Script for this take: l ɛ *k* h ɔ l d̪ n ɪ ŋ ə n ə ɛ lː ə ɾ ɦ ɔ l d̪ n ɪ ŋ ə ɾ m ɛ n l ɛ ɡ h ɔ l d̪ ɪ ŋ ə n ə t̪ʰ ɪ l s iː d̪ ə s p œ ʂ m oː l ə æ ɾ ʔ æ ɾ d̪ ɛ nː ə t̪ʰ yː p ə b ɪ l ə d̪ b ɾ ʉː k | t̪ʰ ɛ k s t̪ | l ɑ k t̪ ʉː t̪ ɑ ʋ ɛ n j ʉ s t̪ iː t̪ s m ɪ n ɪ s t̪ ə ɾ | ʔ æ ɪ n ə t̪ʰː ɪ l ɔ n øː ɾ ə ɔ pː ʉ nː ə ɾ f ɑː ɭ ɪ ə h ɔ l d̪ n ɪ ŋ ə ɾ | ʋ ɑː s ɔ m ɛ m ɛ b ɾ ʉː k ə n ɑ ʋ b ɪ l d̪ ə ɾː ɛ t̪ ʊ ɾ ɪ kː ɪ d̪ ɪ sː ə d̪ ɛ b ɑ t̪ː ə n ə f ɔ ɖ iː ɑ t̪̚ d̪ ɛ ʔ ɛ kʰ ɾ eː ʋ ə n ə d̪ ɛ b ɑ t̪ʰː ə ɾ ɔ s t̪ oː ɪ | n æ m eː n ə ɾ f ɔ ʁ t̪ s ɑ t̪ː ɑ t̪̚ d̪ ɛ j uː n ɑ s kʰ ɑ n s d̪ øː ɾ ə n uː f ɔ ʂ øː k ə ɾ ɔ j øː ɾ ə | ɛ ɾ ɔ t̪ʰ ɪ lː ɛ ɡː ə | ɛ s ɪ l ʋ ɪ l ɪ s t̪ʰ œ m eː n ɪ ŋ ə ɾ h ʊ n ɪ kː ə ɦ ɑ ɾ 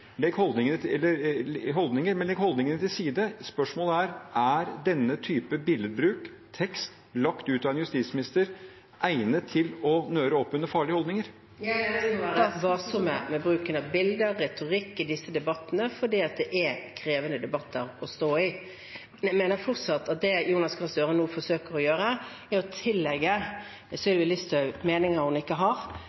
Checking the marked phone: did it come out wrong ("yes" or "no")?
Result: yes